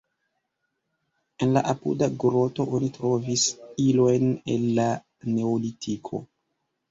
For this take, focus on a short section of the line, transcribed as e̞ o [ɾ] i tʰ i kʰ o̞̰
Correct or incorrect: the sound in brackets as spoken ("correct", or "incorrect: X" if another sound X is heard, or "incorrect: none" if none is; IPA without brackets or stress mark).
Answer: incorrect: l